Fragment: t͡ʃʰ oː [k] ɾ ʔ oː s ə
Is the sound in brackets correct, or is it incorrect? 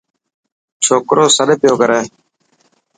correct